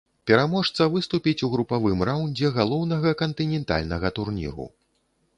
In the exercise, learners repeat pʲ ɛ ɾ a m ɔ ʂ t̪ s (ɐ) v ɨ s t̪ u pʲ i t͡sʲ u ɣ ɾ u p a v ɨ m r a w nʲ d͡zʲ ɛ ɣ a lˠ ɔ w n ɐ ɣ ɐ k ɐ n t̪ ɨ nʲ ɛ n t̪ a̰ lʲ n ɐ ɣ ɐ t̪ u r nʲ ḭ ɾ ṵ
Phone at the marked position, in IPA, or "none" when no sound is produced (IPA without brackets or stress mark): ɐ